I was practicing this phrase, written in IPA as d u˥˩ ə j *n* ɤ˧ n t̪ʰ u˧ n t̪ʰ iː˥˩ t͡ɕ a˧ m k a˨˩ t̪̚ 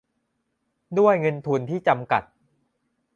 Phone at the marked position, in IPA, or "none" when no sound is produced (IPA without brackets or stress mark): ŋ